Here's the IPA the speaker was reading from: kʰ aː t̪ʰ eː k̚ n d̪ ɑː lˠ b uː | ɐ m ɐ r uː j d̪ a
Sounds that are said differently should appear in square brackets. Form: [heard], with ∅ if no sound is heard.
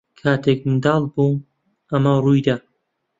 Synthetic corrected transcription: kʰ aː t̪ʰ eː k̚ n d̪ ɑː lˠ b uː | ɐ m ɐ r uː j d̪ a

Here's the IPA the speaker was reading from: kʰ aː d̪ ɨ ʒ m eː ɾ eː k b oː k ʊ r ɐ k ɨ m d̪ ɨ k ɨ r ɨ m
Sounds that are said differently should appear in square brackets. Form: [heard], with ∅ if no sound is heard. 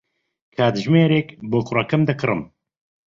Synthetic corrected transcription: kʰ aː d̪ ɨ ʒ m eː ɾ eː k b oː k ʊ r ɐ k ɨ m d̪ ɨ k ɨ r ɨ m

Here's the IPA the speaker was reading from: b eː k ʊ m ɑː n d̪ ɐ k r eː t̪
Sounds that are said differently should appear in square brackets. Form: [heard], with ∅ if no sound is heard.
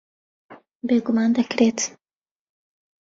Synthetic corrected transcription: b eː [ɡ] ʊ m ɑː n d̪ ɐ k [ɾ] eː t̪

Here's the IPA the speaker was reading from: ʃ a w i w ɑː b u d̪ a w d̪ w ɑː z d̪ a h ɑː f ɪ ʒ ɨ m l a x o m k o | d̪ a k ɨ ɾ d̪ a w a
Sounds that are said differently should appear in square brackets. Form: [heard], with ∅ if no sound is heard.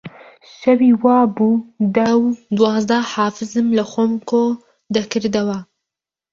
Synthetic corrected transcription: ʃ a w i w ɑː b u d̪ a w d̪ w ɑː z d̪ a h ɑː f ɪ [z] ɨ m l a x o m k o | d̪ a k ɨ ɾ d̪ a w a

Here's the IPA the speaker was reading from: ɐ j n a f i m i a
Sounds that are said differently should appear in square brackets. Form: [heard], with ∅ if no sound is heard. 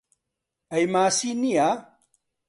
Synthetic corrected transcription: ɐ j [m] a [s] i [n] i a

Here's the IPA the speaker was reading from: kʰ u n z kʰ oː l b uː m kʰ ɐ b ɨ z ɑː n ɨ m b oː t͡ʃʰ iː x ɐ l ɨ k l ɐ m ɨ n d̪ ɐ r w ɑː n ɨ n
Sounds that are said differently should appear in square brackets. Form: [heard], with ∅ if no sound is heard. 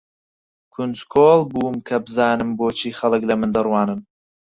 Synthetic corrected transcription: kʰ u n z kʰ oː l b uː m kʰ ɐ b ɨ z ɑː n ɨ m b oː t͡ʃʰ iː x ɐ l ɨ k l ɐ m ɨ n d̪ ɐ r w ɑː n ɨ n

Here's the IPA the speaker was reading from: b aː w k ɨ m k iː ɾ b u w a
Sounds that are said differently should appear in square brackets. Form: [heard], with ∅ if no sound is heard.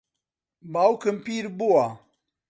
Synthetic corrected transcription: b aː w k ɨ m [p] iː ɾ b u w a

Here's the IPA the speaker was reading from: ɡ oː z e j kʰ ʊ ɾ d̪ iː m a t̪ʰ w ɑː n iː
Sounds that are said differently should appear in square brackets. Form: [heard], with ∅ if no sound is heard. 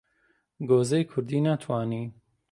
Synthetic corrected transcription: ɡ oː z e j kʰ ʊ ɾ d̪ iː [n] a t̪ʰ w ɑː n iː

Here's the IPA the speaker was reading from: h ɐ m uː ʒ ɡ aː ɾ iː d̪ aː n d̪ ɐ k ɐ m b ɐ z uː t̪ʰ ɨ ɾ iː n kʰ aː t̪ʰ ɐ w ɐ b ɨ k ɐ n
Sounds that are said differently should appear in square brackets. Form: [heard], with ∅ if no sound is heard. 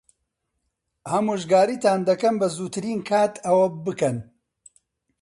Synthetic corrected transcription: h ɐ m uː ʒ ɡ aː ɾ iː [t̪] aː n d̪ ɐ k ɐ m b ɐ z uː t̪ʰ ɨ ɾ iː n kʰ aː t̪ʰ ɐ w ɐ b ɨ k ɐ n

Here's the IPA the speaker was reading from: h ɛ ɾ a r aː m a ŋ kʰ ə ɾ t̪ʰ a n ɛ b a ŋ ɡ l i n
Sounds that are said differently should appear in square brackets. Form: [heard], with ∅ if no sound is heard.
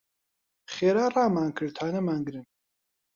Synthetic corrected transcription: [χ] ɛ ɾ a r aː m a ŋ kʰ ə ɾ t̪ʰ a n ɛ [m] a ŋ ɡ [ɾ] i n

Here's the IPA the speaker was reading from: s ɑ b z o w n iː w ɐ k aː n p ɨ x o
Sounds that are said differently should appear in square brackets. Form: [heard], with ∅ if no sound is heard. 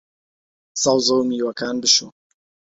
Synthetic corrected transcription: s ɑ [w] z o w [m] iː w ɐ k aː n [b] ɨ [ʃ] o

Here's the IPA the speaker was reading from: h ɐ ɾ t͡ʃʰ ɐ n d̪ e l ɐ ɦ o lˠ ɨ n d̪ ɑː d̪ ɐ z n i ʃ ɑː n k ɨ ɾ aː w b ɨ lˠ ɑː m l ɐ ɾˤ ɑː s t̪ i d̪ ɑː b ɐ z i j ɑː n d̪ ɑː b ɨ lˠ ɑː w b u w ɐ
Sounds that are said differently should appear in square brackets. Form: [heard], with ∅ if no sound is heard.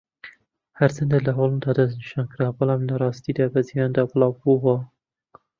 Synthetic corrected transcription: h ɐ ɾ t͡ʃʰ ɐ n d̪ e l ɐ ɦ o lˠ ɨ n d̪ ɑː d̪ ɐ z n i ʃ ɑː n k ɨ ɾ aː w b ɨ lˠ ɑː m l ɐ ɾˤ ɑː s t̪ i d̪ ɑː b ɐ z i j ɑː n d̪ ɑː b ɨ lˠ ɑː w b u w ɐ

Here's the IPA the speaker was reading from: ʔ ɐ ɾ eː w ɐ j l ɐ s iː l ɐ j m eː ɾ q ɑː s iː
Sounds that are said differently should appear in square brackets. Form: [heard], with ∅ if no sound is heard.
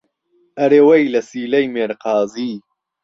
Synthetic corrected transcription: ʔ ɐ ɾ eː w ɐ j l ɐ s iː l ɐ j m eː ɾ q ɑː [z] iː

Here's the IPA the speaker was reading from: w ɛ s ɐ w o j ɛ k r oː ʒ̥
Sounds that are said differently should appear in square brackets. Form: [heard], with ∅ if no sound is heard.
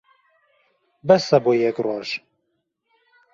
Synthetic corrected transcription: [b] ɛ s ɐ [b] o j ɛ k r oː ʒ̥

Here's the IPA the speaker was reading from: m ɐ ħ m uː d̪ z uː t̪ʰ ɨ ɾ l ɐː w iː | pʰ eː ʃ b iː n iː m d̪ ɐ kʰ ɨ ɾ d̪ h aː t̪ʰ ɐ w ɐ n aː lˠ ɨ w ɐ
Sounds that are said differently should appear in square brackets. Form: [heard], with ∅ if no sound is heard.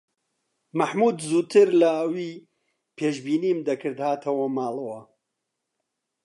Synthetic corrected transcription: m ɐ ħ m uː d̪ z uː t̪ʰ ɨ ɾ l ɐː w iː | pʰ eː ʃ b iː n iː m d̪ ɐ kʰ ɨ ɾ d̪ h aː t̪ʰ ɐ w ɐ [m] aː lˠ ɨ w ɐ

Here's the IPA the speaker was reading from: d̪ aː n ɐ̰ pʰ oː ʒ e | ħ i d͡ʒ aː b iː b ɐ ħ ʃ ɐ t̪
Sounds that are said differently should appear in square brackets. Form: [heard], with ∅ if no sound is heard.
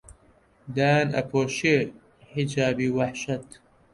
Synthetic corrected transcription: d̪ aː n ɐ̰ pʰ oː [ʃ] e | ħ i d͡ʒ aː b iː [w] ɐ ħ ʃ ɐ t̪

